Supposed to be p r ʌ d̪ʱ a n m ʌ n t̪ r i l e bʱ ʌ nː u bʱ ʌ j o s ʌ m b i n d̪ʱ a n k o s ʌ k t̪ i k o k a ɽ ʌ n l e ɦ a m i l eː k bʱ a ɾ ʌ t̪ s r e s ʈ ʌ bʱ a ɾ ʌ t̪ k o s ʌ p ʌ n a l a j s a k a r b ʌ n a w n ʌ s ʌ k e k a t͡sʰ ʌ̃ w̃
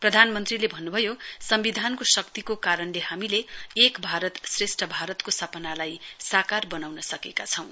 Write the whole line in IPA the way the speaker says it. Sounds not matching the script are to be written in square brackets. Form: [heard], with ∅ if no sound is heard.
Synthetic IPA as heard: p r ʌ d̪ʱ a n m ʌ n t̪ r i l e bʱ ʌ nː u bʱ ʌ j o s ʌ m b i [∅] d̪ʱ a n k o s ʌ k t̪ i k o k a [ɾ] ʌ n l e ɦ a m i l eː k bʱ a ɾ ʌ t̪ s r e s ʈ ʌ bʱ a ɾ ʌ t̪ k o s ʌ p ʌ n a l a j s a k a r b ʌ n a w n ʌ s ʌ k e k a t͡sʰ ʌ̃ w̃